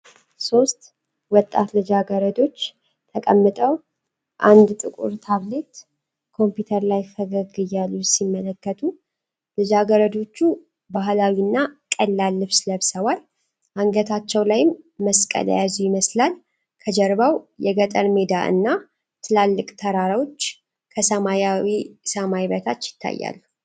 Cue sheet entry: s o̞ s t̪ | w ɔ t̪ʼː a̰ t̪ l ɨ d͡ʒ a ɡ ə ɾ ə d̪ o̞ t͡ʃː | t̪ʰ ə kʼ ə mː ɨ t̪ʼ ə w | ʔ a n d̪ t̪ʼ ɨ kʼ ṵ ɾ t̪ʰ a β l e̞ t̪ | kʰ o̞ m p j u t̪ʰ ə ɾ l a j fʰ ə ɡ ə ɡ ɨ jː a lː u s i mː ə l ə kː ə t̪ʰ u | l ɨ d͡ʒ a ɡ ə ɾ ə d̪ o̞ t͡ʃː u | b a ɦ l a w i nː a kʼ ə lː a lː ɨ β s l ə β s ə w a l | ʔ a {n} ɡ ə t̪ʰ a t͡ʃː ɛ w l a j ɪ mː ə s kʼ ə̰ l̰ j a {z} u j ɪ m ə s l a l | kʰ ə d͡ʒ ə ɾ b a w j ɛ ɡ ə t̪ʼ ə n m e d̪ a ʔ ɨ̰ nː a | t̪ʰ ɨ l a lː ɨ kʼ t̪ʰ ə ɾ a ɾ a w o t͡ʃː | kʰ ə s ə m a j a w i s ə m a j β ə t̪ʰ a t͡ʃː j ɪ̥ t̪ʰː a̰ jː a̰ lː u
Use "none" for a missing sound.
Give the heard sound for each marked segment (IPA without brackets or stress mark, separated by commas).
ŋ, z